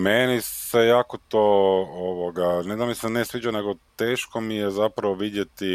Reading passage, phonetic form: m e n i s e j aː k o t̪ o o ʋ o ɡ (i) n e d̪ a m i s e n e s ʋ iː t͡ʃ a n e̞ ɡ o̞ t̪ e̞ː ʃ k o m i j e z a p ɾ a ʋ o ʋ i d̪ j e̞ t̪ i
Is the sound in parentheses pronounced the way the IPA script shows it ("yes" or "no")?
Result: no